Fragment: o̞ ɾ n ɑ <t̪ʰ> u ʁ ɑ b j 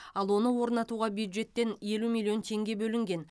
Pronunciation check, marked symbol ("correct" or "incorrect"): incorrect